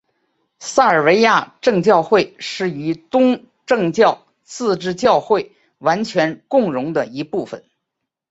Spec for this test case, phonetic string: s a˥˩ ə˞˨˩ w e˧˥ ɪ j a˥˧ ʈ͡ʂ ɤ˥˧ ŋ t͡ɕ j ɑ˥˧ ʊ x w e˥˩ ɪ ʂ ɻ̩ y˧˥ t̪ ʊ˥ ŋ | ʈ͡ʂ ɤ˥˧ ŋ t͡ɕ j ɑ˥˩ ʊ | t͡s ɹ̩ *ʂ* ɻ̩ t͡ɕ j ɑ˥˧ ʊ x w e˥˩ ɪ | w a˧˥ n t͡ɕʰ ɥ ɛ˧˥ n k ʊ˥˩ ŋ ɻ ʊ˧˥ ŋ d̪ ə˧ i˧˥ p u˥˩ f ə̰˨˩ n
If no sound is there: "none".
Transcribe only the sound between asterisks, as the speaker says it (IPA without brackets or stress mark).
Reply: ʈ͡ʂ